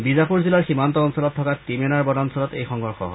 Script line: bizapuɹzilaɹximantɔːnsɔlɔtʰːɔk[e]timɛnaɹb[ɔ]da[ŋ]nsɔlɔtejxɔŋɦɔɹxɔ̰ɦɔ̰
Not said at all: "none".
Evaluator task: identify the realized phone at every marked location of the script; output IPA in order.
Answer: a, ɔ, none

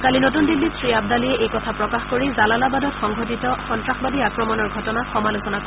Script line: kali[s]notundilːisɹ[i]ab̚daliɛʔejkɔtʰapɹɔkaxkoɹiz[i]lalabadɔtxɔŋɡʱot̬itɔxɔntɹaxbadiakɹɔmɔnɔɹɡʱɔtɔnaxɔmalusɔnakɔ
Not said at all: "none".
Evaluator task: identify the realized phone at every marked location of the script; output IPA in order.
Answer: none, i, a

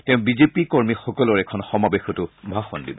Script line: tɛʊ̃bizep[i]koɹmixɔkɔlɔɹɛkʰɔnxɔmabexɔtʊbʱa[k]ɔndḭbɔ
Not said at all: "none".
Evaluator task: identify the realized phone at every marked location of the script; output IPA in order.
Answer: i, x

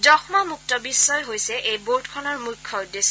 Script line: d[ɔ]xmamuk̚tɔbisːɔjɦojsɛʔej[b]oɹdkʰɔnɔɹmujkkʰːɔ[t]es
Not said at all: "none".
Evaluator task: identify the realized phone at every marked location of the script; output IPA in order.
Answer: ɔ, b, d

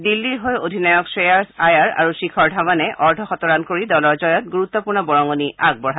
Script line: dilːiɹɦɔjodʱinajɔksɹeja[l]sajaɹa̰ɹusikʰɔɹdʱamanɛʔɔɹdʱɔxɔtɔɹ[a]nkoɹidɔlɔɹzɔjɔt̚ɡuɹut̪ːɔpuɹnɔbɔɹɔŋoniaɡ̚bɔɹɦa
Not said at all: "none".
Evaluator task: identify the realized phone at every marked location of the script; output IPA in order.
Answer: ɹ, a

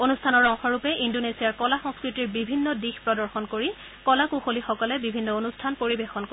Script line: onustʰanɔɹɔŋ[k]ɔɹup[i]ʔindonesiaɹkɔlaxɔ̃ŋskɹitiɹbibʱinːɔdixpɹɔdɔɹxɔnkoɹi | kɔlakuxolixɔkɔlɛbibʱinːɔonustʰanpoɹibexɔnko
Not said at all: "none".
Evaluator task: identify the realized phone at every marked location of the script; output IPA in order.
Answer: x, ɛ

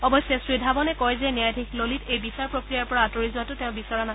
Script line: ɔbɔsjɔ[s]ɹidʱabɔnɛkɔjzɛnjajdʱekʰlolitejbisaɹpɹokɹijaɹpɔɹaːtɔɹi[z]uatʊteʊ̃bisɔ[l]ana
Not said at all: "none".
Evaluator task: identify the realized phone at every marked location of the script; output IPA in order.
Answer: s, z, ɹ

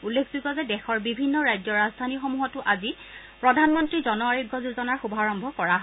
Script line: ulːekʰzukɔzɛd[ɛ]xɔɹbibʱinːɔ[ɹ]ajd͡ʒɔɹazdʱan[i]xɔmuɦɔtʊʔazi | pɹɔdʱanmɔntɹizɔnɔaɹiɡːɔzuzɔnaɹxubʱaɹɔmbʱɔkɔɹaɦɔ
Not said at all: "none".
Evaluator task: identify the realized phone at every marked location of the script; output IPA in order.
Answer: ɛ, ɹ, i

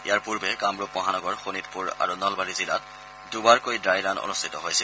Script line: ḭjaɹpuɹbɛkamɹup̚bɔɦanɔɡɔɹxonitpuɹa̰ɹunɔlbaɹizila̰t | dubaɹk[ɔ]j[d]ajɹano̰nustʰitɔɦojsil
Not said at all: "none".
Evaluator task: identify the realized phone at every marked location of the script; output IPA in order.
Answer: o, d

